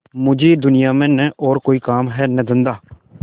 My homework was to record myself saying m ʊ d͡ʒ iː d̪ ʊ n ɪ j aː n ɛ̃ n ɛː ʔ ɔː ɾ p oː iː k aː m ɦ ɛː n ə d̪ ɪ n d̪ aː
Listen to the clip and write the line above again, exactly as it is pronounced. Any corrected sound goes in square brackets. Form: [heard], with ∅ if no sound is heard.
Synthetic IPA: m ʊ d͡ʒ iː d̪ ʊ n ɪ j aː [m] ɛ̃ n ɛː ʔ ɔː ɾ [k] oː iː k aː m ɦ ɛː n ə d̪ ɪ n d̪ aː